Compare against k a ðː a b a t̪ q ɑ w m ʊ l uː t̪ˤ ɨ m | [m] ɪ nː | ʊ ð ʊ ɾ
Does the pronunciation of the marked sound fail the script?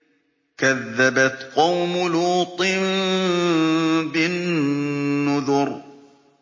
yes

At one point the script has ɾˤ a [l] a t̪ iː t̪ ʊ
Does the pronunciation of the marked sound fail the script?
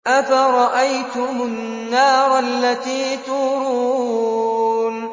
yes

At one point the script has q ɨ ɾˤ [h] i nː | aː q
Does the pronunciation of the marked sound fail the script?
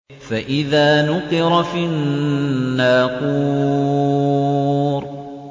yes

